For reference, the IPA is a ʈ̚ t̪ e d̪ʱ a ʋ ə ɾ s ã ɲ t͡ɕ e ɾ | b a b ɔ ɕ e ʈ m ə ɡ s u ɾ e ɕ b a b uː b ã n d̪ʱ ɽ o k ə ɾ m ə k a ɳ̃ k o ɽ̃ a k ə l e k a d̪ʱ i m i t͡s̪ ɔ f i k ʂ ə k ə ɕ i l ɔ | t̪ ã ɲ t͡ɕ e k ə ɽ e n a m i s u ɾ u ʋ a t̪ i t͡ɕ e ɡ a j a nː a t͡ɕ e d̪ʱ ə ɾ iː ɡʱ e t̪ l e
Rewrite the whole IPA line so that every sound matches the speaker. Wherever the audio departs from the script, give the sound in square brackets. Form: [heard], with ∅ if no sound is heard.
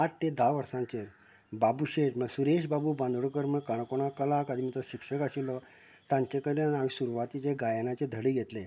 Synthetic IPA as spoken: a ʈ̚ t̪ e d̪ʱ a ʋ ə ɾ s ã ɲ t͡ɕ e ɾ | b a b [u] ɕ e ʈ m ə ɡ s u ɾ e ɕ b a b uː b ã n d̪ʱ ɽ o k ə ɾ m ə k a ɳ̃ k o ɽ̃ a k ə l [a] k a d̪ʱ i m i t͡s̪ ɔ [ɕ] i k ʂ ə k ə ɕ i l ɔ | t̪ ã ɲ t͡ɕ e k ə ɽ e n a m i s u ɾ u ʋ a t̪ i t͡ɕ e ɡ a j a [n] a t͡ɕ e d̪ʱ ə [ɽ] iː ɡʱ e t̪ l e